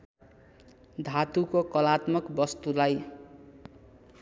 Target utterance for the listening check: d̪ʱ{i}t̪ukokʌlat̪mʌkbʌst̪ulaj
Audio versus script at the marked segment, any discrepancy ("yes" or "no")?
yes